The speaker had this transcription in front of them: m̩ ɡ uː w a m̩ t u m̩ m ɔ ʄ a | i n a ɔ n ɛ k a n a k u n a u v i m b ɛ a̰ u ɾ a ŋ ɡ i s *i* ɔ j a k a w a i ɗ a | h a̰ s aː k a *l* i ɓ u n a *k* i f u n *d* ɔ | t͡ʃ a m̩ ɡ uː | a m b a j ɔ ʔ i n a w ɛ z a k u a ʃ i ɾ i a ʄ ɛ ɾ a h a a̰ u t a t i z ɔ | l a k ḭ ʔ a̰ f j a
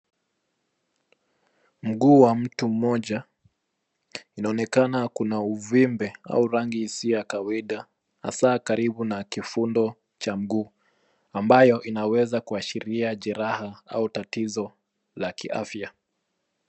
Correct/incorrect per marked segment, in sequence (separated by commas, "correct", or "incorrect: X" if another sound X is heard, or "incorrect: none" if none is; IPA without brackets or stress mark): correct, incorrect: ɾ, correct, correct